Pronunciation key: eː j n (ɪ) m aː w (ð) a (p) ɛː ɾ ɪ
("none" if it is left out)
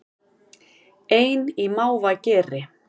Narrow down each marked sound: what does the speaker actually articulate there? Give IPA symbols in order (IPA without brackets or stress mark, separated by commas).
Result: i, v, c